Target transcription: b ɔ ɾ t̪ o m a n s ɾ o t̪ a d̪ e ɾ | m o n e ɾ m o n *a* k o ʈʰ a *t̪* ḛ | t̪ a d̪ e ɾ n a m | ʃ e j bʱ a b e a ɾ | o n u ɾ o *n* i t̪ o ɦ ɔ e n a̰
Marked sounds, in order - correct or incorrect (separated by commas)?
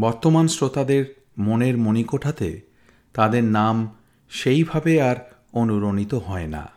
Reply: incorrect, correct, correct